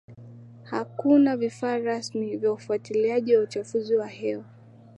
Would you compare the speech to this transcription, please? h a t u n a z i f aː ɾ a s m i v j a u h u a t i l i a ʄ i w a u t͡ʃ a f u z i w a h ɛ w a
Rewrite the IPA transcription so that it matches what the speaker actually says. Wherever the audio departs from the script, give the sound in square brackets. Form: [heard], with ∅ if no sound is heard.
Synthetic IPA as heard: h a [k] u n a [v] i f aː ɾ a s m i v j a u [f] u a t i l i a ʄ i w a u t͡ʃ a f u z i w a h ɛ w a